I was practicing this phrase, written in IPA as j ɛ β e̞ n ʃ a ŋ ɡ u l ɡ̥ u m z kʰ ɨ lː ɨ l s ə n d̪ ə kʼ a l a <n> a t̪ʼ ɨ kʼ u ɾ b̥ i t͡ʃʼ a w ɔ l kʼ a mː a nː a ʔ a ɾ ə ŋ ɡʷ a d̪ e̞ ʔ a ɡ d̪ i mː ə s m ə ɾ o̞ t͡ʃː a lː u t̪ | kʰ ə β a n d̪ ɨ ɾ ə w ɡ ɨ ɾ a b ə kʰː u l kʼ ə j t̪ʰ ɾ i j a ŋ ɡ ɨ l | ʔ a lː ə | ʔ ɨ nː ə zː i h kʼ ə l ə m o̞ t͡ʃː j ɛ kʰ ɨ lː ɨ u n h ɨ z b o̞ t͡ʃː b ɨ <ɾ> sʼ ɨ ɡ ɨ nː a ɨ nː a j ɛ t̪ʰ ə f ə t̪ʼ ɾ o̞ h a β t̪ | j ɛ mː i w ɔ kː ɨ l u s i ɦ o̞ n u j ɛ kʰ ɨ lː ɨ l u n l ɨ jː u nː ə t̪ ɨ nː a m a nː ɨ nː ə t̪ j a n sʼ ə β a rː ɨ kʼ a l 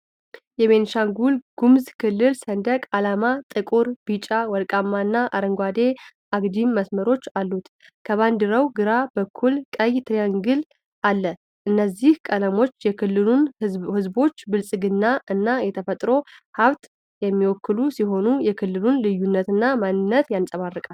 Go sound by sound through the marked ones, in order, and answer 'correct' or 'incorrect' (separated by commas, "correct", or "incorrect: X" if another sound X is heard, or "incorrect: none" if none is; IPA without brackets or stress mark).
incorrect: m, incorrect: l